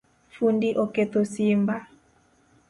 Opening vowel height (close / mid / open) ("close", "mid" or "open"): close